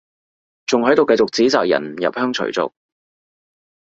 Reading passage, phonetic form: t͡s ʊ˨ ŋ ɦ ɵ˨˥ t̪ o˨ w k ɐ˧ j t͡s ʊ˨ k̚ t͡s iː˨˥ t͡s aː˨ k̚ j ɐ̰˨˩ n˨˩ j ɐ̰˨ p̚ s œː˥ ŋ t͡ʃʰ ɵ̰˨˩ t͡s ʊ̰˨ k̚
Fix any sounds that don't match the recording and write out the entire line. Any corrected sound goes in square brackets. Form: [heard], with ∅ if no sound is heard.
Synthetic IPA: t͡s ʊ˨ ŋ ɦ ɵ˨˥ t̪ o˨ w k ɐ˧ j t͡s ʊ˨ k̚ t͡s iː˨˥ t͡s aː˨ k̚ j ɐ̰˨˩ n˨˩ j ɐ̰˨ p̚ [h] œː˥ ŋ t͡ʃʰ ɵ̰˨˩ t͡s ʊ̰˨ k̚